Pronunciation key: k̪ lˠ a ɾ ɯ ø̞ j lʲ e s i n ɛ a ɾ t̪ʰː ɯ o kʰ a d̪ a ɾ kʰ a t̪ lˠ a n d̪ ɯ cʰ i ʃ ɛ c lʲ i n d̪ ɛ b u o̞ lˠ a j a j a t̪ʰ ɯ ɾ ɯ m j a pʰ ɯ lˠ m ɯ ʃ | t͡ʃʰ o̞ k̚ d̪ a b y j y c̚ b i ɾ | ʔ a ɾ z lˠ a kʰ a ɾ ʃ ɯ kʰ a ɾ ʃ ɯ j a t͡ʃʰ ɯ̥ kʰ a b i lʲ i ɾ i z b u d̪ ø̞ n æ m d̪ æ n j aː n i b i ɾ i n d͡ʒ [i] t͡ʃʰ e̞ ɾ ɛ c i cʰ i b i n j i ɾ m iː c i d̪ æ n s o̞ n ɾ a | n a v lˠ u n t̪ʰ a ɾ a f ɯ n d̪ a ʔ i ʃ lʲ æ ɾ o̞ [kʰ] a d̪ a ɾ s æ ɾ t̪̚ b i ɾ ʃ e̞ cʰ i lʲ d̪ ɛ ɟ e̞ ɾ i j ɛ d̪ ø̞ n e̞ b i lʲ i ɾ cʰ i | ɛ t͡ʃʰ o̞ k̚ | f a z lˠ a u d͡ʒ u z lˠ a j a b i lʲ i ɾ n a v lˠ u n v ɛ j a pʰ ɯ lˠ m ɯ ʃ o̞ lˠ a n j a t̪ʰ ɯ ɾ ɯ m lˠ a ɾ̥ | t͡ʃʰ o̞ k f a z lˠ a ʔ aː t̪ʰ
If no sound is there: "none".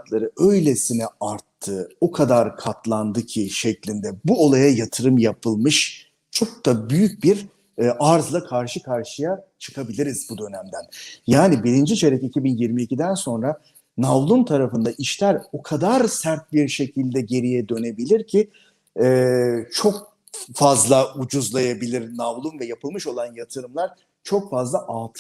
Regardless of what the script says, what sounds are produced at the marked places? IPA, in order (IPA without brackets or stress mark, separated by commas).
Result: i, kʰ